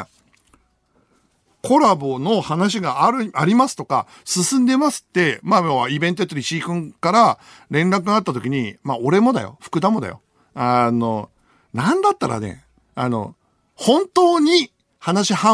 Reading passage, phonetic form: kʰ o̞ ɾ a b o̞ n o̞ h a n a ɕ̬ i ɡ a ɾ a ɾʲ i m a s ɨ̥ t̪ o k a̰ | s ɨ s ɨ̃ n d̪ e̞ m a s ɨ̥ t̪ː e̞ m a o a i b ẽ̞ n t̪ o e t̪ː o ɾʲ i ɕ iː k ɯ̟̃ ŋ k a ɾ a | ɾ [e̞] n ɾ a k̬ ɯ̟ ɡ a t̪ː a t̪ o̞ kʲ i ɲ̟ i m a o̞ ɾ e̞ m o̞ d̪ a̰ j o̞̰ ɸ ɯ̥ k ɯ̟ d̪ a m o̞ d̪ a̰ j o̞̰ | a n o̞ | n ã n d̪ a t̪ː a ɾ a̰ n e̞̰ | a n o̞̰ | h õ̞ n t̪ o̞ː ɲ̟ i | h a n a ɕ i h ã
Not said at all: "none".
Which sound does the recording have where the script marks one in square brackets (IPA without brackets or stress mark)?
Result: ẽ̞